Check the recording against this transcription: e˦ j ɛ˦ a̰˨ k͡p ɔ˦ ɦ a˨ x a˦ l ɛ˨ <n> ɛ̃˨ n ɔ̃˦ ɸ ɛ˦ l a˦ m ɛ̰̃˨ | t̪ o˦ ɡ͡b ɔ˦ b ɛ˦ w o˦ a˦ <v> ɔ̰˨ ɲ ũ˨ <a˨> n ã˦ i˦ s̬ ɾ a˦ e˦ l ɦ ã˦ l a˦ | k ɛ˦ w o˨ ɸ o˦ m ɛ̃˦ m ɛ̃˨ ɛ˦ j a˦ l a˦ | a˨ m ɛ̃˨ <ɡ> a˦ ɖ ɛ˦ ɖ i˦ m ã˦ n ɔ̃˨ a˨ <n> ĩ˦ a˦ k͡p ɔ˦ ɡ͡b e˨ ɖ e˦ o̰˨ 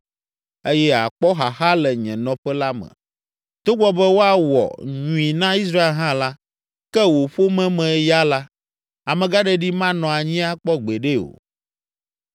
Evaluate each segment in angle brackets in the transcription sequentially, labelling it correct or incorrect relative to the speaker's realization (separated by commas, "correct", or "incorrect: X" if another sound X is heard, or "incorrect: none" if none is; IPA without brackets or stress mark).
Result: incorrect: ɲ, incorrect: w, incorrect: i˨, correct, incorrect: ɲ